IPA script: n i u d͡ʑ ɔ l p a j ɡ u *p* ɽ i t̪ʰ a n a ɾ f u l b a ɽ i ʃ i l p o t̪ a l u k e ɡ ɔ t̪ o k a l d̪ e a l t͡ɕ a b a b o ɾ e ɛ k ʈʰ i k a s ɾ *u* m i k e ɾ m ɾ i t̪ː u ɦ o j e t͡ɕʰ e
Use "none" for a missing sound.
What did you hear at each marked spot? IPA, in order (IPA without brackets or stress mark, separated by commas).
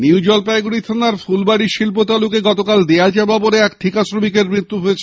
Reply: none, o